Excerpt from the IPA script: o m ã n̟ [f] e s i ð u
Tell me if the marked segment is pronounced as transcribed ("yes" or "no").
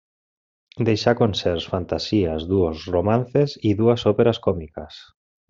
no